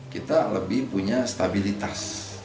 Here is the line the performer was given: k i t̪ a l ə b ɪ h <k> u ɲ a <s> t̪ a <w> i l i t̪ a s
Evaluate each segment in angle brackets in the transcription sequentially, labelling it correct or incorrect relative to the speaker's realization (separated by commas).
incorrect, correct, incorrect